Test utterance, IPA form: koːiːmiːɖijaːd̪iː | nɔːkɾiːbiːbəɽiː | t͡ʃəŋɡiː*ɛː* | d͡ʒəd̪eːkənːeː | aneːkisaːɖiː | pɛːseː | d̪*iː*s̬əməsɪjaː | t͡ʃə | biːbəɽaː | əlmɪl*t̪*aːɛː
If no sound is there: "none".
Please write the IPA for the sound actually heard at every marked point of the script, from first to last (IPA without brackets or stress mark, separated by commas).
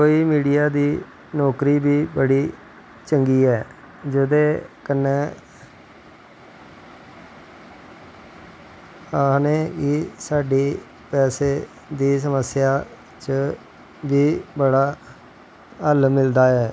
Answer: ɛː, iː, d̪